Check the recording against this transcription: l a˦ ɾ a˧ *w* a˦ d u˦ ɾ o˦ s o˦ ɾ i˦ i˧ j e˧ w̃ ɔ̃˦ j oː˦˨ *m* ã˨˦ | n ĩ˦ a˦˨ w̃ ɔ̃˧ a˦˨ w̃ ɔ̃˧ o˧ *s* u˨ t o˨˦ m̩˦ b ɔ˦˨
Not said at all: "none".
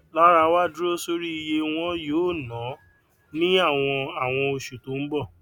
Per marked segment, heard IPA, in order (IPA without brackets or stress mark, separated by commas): w, n, ʃ